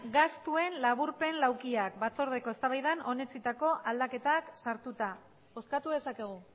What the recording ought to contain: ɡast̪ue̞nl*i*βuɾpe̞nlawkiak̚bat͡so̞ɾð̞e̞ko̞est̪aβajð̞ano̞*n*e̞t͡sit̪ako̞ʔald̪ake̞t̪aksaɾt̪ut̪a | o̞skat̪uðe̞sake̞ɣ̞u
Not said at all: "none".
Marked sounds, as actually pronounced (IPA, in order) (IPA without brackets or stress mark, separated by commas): a, n